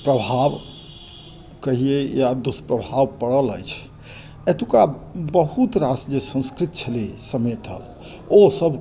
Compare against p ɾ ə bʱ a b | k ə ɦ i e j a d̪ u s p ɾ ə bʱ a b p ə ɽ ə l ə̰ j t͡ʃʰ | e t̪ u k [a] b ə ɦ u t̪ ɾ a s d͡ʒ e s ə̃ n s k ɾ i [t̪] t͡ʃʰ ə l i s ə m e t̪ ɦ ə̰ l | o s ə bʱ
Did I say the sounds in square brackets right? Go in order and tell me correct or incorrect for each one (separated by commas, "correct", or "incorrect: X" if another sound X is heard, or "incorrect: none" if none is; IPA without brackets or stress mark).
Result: correct, correct